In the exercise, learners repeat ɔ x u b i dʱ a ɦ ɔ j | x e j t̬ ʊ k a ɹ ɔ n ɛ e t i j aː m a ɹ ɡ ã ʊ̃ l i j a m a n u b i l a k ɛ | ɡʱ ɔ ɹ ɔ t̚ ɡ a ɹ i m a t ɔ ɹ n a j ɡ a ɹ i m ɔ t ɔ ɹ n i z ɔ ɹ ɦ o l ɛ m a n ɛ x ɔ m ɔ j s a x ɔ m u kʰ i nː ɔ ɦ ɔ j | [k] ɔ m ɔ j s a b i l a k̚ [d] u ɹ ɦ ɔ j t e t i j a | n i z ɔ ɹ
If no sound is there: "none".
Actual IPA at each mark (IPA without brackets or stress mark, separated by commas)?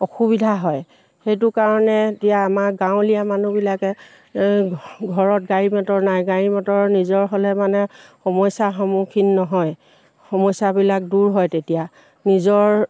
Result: x, d